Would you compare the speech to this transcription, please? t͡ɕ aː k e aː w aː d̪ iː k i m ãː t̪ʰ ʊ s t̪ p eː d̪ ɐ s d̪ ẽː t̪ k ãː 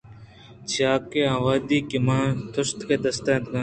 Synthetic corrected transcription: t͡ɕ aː k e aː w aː d̪ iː k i m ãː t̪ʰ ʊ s t̪ k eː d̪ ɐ s t̪ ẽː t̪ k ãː